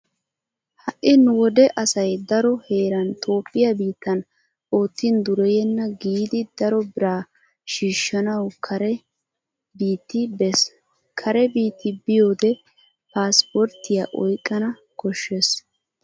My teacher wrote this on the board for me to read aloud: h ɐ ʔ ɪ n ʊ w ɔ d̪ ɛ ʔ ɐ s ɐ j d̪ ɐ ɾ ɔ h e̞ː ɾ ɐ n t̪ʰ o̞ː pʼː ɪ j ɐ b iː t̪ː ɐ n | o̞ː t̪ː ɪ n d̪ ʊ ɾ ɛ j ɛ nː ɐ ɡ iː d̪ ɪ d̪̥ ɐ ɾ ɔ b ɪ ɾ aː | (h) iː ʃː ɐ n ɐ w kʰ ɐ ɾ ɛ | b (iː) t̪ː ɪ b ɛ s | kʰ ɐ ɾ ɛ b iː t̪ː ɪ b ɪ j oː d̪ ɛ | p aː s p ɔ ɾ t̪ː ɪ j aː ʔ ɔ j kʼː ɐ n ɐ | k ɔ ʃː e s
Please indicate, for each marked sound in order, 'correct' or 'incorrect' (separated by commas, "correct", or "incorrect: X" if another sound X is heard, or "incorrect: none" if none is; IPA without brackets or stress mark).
incorrect: ʃ, correct